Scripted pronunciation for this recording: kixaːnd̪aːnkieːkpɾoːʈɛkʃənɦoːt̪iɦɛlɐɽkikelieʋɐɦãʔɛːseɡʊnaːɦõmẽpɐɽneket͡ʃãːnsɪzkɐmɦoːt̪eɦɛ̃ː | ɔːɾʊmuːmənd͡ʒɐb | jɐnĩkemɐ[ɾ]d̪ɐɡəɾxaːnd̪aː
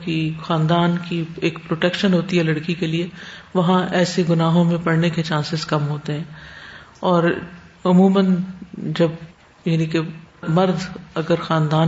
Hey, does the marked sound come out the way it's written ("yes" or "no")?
yes